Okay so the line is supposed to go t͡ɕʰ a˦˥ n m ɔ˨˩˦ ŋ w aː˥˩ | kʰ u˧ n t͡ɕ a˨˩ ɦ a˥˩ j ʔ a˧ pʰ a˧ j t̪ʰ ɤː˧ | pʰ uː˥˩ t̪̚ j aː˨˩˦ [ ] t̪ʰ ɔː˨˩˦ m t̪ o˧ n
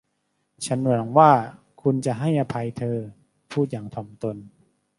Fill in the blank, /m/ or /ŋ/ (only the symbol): ŋ